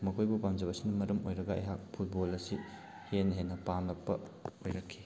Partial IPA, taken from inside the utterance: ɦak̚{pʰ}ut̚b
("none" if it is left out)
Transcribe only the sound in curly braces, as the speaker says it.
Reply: pʰ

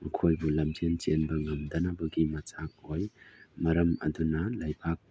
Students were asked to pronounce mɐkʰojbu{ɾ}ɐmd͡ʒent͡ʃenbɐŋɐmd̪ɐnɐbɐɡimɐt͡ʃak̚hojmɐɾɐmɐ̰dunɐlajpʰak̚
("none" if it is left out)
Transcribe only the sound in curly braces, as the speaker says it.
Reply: l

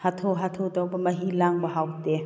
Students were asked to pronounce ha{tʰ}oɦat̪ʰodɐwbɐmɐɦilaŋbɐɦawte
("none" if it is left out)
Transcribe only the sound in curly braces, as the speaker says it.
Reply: tʰ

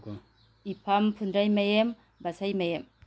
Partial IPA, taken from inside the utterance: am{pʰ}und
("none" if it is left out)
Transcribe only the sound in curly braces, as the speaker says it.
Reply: pʰ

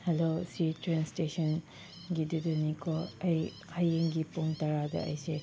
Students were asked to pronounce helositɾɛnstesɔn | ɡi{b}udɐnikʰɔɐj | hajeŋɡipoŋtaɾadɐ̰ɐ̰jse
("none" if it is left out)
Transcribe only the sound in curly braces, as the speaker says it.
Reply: d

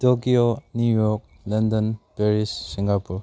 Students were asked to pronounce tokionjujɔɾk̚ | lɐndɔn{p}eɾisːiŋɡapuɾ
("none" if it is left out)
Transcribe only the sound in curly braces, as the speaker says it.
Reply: p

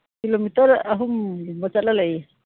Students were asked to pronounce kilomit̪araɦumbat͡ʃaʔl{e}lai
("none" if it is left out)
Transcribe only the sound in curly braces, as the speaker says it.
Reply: a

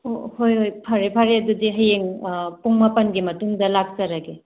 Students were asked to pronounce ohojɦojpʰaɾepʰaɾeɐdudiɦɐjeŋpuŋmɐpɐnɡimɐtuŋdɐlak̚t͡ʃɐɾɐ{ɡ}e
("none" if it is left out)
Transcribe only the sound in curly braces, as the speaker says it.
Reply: ɡ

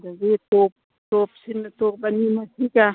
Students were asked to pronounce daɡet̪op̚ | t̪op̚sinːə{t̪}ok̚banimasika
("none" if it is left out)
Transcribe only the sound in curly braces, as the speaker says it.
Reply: t̪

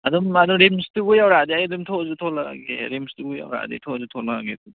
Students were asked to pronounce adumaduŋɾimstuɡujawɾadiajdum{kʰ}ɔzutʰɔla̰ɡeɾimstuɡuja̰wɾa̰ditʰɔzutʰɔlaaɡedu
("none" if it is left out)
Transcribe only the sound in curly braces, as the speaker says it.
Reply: tʰ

